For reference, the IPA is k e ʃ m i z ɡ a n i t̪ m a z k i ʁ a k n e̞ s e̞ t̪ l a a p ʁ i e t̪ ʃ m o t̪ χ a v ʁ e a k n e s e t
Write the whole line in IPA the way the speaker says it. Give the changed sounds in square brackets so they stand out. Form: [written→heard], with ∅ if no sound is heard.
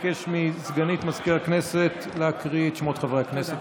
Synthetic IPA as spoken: k e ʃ m i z ɡ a n i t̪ m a z k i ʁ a k n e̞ s e̞ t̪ l [a→e] a [p→k] ʁ i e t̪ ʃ m o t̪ χ a v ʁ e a k n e s e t